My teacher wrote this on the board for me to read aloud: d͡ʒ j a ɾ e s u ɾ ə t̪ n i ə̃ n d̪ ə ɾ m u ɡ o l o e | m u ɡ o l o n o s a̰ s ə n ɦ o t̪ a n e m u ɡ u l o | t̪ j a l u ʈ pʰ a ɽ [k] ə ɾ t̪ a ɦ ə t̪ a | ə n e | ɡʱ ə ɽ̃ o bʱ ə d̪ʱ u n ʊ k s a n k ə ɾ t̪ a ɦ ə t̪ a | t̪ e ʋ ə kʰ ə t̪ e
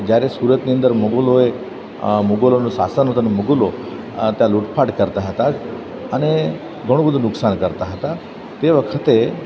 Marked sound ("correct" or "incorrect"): correct